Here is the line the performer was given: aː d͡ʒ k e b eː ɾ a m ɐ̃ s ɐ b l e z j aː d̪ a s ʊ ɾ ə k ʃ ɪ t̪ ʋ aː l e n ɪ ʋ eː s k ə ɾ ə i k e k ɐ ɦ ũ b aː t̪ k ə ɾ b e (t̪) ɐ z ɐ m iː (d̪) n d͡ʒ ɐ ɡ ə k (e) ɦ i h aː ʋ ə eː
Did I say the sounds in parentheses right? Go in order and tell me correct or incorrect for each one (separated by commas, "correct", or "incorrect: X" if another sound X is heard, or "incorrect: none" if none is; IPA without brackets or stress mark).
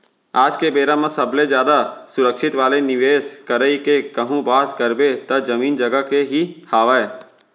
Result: correct, incorrect: none, correct